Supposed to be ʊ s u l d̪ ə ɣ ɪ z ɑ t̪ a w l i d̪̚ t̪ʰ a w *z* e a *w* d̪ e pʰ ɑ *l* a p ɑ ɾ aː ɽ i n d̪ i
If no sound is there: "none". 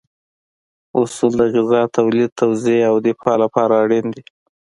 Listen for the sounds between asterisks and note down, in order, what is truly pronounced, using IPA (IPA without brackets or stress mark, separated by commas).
z, w, l